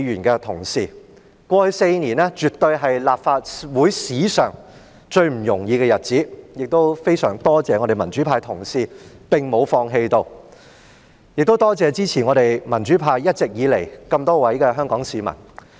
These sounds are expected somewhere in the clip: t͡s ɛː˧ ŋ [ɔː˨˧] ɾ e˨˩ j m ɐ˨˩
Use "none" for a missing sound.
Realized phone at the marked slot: ɔ˨˧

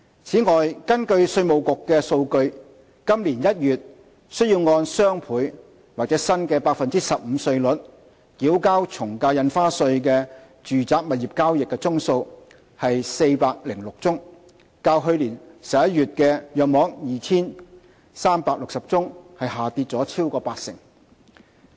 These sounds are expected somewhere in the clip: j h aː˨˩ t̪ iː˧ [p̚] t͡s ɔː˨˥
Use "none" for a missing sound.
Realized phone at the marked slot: t̚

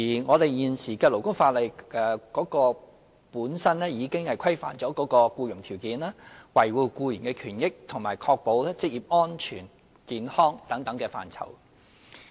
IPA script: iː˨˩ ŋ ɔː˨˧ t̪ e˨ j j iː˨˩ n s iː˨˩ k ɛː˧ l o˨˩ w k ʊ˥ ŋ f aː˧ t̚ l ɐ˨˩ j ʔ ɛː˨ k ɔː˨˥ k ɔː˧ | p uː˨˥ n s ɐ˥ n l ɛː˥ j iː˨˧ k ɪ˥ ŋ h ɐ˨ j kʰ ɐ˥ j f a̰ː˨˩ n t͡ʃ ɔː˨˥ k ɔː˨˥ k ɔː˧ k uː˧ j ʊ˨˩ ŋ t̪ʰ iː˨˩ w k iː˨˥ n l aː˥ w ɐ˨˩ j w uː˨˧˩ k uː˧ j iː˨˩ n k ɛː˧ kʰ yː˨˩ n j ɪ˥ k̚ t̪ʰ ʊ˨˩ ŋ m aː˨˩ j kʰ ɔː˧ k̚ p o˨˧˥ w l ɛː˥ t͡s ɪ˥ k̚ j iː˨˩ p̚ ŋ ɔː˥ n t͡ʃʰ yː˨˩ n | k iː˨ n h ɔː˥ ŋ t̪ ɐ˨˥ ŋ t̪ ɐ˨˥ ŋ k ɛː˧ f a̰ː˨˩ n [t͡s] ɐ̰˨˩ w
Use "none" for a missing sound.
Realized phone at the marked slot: t͡sʰ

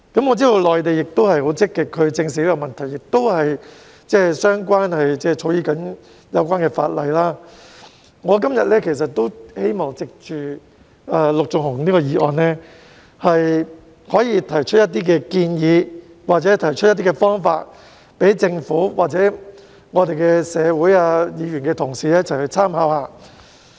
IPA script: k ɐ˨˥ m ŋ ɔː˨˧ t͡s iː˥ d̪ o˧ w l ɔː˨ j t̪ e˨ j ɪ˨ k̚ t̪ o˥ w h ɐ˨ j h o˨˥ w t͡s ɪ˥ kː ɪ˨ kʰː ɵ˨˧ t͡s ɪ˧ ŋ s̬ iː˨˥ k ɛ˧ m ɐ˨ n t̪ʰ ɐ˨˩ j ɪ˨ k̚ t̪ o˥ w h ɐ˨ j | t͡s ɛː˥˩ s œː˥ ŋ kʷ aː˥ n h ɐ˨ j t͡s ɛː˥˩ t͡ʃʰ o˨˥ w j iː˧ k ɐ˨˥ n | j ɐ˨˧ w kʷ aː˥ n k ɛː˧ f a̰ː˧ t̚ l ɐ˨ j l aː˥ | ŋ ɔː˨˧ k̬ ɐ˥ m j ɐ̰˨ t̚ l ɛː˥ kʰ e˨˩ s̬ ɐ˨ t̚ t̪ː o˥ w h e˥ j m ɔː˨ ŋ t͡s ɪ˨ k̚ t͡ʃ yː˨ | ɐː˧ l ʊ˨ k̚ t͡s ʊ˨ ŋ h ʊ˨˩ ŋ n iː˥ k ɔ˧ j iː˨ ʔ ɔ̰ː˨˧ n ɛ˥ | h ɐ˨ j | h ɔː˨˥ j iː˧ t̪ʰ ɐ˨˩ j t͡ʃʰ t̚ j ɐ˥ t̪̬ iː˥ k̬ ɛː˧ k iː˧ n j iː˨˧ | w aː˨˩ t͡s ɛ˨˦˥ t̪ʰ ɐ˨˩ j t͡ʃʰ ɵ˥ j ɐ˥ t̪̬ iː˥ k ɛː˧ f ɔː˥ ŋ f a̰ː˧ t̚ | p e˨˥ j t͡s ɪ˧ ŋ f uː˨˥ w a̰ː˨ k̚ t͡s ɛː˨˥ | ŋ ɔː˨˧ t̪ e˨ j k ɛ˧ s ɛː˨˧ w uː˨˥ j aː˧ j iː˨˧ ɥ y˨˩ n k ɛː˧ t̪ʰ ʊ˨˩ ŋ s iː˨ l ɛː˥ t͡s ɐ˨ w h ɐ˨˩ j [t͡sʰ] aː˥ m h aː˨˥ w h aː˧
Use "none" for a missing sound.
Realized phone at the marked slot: t͡sʰ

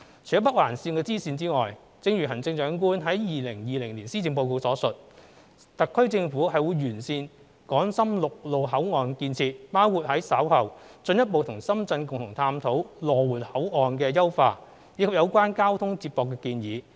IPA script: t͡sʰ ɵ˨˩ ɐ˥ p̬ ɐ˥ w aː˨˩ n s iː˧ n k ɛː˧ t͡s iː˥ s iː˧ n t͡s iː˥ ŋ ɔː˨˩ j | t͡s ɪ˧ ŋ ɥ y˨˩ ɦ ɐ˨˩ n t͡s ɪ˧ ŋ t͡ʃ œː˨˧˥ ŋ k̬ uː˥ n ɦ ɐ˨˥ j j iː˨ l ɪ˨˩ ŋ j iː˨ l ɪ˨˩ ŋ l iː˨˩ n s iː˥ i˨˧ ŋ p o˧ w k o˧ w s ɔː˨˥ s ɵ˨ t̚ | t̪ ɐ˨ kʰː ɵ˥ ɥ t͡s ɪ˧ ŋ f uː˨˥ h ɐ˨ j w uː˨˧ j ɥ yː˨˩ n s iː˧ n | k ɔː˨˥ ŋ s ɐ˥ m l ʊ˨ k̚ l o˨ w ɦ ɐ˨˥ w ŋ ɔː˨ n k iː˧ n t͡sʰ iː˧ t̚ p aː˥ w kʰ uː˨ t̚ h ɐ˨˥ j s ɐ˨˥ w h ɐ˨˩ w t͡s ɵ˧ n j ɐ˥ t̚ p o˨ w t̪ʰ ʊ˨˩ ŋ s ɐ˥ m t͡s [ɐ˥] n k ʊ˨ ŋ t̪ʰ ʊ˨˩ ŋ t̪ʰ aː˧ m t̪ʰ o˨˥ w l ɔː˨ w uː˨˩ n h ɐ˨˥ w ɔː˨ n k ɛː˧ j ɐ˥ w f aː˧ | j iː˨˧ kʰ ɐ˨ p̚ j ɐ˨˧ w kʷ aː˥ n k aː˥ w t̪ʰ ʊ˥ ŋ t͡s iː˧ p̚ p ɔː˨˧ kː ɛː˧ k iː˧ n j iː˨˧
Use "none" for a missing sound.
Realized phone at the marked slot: ɐ˧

